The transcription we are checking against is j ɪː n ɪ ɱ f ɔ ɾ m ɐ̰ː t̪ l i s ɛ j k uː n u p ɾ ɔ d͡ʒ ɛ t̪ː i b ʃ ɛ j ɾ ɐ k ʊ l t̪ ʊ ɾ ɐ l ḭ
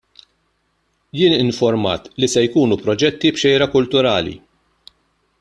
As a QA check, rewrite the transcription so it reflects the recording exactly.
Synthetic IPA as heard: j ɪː n ɪ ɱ f ɔ ɾ m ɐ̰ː t̪ l i s ɛ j k uː n u p ɾ ɔ d͡ʒ ɛ t̪ː i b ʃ ɛ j ɾ ɐ k ʊ l t̪ ʊ ɾ ɐː l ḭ